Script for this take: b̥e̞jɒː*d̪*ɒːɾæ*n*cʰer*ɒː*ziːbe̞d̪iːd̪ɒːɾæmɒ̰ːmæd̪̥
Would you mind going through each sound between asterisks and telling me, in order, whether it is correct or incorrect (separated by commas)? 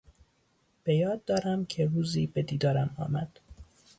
incorrect, incorrect, incorrect